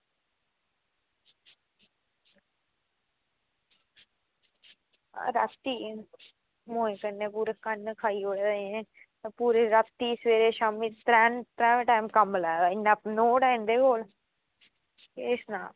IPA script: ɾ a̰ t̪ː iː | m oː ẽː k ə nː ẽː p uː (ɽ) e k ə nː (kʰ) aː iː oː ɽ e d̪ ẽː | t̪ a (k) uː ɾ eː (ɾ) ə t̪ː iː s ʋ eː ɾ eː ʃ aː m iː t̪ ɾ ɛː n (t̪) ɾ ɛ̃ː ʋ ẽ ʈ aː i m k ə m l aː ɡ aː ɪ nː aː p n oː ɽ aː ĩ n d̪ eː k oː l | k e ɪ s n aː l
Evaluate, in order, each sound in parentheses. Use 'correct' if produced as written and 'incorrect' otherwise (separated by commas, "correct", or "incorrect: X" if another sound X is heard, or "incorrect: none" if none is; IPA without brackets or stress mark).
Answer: incorrect: ɾ, correct, incorrect: p, correct, correct